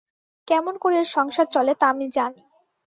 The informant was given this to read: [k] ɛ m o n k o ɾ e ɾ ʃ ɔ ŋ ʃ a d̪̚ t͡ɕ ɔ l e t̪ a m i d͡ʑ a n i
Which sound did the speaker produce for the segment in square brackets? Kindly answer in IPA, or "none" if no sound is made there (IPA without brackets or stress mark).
k